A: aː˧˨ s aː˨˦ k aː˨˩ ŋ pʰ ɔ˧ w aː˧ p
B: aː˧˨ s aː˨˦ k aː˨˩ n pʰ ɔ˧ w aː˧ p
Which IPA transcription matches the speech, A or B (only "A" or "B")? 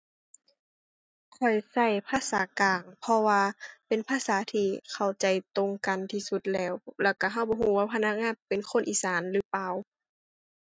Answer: A